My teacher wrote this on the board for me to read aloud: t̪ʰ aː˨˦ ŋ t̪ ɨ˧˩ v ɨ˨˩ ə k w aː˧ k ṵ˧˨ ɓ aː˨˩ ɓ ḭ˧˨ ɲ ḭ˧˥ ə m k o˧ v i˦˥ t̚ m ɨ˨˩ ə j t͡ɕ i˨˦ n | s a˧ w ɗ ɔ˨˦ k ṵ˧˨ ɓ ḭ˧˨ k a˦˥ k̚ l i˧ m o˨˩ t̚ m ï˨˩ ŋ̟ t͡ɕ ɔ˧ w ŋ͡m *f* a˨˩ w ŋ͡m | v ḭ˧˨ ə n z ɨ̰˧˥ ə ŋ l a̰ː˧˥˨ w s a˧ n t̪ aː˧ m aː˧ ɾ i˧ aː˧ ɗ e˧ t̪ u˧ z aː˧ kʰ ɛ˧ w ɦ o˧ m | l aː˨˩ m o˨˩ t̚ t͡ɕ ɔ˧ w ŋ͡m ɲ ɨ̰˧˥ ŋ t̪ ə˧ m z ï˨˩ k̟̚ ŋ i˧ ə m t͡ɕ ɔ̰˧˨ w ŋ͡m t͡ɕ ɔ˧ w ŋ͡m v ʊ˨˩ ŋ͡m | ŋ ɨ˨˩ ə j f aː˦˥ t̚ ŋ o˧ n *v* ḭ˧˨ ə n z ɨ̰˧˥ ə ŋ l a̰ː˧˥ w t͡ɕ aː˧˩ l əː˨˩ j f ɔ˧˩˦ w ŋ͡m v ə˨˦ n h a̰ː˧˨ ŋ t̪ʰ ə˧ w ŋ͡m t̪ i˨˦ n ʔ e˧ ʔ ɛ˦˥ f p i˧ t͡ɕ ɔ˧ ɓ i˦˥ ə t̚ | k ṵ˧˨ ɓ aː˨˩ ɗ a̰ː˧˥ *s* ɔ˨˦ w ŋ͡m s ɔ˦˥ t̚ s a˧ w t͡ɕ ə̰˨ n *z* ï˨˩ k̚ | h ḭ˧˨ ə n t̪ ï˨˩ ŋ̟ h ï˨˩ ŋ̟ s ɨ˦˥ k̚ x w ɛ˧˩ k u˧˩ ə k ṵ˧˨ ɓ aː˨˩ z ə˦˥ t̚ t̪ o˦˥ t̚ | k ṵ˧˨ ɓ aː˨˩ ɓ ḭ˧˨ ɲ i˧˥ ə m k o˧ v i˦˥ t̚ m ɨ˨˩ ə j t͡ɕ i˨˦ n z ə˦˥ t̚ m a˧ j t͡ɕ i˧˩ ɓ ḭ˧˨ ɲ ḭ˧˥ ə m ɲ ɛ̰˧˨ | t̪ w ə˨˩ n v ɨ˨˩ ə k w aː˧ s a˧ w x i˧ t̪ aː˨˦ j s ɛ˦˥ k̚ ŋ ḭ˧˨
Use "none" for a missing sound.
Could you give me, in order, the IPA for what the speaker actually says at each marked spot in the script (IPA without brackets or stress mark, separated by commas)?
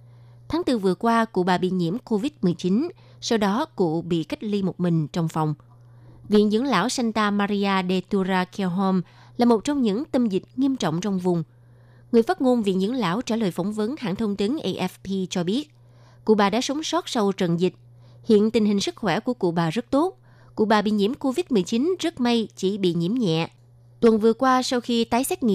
f, v, s, z